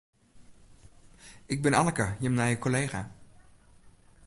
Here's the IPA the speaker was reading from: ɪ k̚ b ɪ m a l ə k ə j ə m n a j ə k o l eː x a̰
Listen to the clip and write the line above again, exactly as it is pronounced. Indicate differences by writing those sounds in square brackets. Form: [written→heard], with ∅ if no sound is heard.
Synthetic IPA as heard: ɪ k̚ b ɪ [m→n] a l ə k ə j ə m n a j ə k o l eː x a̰